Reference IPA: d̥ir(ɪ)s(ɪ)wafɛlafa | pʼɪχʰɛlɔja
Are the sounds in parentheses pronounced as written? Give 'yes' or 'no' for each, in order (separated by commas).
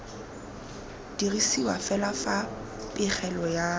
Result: no, no